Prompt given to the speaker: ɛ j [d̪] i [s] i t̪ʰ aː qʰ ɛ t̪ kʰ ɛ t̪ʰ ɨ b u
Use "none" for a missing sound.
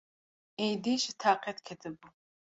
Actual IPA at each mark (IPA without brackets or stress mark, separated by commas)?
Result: d̪, ʃ